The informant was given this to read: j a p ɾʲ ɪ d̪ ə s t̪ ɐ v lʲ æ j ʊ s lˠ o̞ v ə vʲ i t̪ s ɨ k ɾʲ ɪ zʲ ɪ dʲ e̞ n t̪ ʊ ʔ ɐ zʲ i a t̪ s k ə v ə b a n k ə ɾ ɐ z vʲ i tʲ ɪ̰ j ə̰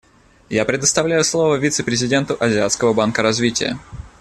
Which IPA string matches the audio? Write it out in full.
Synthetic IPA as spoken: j a p ɾʲ ɪ d̪ ə s t̪ ɐ v lʲ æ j ʊ s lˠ o̞ v ə vʲ i t̪ s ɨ p ɾʲ ɪ zʲ ɪ dʲ e̞ n t̪ ʊ ʔ ɐ zʲ ɪ a t̪ s k ə v ə b a n k ə ɾ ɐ z vʲ i tʲ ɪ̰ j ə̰